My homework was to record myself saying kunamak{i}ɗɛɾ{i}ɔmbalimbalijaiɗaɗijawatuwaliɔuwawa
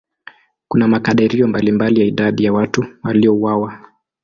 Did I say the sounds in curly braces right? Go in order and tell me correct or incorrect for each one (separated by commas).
incorrect, correct